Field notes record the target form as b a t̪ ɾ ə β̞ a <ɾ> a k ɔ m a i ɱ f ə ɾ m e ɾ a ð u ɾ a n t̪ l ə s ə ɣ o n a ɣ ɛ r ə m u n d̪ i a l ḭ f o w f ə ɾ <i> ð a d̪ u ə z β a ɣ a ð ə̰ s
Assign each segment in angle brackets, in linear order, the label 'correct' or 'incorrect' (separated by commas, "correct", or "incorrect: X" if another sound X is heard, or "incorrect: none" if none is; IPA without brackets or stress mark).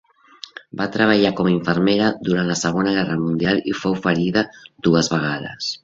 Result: incorrect: ʎ, correct